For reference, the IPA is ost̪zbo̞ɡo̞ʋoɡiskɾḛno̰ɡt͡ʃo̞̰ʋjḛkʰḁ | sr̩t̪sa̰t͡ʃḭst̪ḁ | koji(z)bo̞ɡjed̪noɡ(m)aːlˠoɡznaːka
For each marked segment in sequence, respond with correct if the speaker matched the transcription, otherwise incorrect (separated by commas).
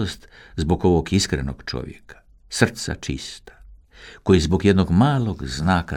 correct, correct